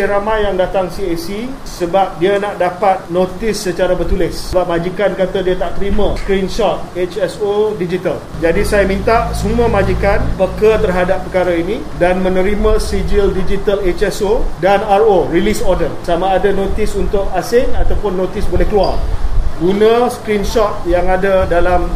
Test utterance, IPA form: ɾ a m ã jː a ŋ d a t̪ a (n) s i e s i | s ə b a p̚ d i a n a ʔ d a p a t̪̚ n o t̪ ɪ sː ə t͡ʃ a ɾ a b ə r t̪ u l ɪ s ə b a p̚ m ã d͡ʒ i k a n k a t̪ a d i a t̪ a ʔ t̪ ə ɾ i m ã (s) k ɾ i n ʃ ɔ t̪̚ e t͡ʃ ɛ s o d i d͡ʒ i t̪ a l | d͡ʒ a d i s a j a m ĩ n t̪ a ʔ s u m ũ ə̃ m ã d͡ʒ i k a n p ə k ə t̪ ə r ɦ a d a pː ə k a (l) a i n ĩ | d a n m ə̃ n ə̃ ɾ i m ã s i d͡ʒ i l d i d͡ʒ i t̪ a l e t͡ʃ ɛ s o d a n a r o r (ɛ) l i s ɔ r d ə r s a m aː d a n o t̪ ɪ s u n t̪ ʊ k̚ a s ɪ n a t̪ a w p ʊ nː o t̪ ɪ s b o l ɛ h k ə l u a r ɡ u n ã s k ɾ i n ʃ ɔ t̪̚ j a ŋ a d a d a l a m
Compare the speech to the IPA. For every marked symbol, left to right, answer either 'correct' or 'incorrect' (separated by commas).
incorrect, correct, incorrect, incorrect